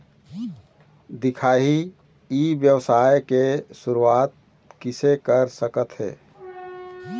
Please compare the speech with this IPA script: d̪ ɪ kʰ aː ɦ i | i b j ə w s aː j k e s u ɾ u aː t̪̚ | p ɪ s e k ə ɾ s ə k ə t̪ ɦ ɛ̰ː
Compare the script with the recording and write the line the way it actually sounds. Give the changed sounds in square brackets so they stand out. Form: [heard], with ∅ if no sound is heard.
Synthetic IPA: d̪ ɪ kʰ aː ɦ i | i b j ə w s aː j k e s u ɾ u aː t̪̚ | [k] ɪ s e k ə ɾ s ə k ə t̪ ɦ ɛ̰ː

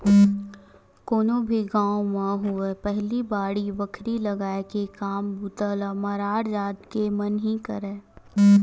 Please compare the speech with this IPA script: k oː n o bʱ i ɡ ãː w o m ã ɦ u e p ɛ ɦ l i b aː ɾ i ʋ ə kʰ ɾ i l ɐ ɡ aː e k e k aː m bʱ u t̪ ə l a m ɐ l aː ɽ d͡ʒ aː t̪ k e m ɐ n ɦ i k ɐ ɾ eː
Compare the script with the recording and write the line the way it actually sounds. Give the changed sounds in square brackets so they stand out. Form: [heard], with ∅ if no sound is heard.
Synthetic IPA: k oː n o bʱ i ɡ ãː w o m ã ɦ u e p ɛ ɦ l i b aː [ɽ] i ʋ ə kʰ ɾ i l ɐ ɡ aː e k e k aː m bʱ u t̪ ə l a m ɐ [ɾ] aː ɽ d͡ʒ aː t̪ k e m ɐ n ɦ i k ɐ ɾ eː

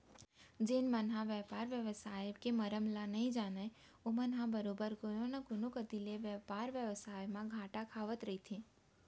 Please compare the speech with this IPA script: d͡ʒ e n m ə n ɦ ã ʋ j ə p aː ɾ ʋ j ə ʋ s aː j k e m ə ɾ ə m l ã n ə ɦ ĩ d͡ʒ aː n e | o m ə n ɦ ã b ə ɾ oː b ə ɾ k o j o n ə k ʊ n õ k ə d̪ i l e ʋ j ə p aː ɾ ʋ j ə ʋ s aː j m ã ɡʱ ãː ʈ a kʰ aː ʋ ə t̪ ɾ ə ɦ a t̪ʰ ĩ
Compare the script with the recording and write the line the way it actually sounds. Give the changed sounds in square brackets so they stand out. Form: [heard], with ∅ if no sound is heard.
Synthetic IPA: d͡ʒ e n m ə n ɦ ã ʋ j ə p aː ɾ ʋ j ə ʋ s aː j k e m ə ɾ ə m l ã n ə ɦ ĩ d͡ʒ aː n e | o m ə n ɦ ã b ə ɾ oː b ə ɾ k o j o n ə k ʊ n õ k ə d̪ i l e ʋ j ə p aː ɾ ʋ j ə ʋ s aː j m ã ɡʱ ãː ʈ a kʰ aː ʋ ə t̪ ɾ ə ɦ [i] t̪ʰ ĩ

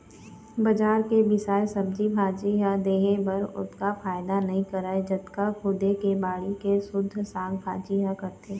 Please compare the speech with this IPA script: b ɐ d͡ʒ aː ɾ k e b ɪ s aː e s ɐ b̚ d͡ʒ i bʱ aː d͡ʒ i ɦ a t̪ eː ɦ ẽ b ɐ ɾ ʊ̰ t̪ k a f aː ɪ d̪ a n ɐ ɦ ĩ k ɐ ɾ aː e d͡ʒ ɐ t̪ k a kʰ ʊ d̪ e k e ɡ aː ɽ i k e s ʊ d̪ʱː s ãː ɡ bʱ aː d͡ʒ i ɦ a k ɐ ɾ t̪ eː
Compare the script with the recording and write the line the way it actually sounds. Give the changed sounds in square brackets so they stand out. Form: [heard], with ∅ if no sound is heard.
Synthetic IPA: b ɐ d͡ʒ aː ɾ k e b ɪ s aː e s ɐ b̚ d͡ʒ i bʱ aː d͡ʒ i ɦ a [d̪] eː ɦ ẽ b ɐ ɾ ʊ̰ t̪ k a f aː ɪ d̪ a n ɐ ɦ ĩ k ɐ ɾ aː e d͡ʒ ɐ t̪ k a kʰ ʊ d̪ e k e [b] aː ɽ i k e s ʊ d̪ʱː s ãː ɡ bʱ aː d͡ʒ i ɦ a k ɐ ɾ t̪ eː

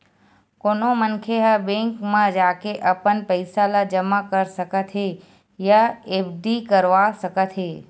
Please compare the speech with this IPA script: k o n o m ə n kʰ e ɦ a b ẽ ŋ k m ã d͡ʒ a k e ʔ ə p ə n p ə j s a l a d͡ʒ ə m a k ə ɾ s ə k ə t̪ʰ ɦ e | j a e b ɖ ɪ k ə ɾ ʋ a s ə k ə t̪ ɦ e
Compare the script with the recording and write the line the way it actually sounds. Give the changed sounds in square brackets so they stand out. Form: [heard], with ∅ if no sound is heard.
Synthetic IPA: k o n o m ə n kʰ e ɦ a b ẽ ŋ k m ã d͡ʒ a k e ʔ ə p ə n p ə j s a l a d͡ʒ ə m a k ə ɾ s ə k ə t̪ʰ ɦ e | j a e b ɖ [i] k ə ɾ ʋ a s ə k ə t̪ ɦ e

